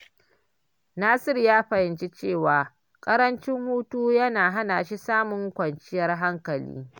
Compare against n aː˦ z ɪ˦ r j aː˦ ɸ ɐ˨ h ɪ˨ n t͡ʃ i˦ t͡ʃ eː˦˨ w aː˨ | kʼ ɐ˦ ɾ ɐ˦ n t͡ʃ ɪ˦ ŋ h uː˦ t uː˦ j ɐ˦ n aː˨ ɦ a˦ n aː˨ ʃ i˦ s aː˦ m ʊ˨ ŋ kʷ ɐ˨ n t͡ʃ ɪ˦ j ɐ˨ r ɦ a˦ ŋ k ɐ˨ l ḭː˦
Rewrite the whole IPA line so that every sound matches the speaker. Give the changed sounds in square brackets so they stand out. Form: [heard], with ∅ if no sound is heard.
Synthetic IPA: n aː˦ [s] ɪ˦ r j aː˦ ɸ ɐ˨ h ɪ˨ n t͡ʃ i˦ t͡ʃ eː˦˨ w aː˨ | kʼ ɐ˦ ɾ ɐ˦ n t͡ʃ ɪ˦ ŋ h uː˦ t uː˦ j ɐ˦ n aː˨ ɦ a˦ n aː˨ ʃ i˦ s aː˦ m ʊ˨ ŋ kʷ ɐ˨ n t͡ʃ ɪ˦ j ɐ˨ r ɦ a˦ ŋ k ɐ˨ l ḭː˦